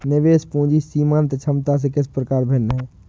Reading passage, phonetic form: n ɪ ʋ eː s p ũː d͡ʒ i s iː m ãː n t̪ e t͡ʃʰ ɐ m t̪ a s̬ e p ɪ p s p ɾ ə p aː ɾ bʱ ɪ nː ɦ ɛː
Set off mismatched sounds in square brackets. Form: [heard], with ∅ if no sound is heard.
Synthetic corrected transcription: n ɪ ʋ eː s p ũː d͡ʒ i s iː m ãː n t̪ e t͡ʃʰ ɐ m t̪ a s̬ e [k] ɪ [∅] s p ɾ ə [k] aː ɾ bʱ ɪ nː ɦ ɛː